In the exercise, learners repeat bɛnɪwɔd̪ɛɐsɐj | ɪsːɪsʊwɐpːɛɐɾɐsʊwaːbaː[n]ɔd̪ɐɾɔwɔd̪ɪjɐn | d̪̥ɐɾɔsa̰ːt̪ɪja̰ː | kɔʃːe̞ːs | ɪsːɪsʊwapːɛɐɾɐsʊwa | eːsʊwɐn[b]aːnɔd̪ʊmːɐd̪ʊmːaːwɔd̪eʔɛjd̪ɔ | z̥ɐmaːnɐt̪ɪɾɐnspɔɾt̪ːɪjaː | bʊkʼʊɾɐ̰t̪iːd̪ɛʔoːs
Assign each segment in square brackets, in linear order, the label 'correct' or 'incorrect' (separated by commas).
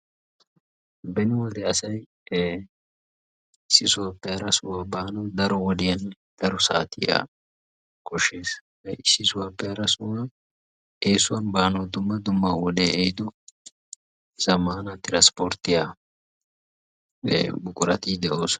correct, correct